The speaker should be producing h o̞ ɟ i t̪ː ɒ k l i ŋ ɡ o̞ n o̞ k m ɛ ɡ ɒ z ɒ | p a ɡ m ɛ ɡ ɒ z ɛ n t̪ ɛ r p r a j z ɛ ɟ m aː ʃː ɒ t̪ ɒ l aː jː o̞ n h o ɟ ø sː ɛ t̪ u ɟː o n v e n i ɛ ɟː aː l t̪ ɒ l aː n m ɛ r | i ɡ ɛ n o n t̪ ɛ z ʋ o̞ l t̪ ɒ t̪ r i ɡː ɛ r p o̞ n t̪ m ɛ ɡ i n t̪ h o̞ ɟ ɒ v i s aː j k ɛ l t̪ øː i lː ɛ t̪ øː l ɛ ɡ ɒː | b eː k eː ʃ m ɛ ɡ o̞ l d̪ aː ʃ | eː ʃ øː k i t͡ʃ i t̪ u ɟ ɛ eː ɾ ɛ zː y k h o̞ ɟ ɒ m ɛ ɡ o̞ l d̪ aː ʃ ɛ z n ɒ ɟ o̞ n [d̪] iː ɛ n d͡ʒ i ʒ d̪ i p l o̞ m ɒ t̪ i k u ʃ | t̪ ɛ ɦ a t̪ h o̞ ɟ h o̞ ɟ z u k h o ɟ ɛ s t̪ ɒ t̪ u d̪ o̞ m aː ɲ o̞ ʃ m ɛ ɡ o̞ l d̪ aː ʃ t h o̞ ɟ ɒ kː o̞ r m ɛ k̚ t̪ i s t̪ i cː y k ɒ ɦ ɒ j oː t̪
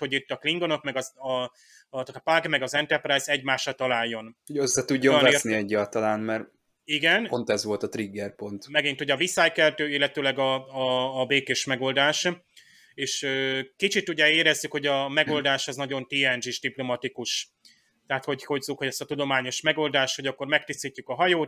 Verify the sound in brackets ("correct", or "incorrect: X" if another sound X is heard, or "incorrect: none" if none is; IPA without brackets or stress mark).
incorrect: t̪